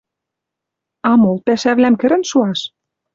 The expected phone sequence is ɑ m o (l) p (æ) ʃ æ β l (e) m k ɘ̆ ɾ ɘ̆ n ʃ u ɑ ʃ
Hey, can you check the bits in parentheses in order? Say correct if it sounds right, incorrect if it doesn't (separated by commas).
correct, correct, incorrect